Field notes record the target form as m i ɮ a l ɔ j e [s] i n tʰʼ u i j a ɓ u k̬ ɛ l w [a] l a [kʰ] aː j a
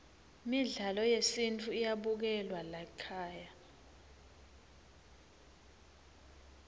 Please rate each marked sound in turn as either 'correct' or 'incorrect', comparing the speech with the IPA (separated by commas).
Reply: correct, correct, correct